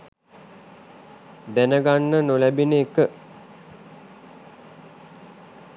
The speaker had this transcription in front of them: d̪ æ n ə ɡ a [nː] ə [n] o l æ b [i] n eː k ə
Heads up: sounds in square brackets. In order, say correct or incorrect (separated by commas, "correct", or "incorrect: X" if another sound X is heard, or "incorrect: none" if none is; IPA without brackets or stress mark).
correct, correct, correct